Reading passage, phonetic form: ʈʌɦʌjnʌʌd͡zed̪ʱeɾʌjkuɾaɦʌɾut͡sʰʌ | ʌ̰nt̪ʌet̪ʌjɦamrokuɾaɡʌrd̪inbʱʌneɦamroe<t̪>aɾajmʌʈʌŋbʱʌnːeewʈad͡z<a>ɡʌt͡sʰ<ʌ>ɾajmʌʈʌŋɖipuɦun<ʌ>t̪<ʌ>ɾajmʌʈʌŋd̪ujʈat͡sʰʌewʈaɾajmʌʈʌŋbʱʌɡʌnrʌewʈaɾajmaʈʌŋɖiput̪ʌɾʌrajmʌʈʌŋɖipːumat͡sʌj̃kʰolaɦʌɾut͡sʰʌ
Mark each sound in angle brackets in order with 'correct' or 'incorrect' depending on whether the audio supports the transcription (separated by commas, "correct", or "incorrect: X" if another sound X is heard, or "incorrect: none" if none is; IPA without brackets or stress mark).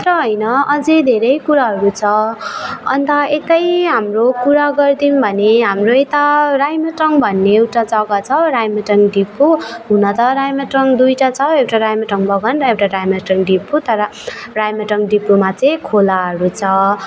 correct, incorrect: ʌ, correct, correct, correct